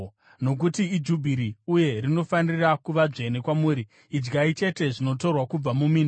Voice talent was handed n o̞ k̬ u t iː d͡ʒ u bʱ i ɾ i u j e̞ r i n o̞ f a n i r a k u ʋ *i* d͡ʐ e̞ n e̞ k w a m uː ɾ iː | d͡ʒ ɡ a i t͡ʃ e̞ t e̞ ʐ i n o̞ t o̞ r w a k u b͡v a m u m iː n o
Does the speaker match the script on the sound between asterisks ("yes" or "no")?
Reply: no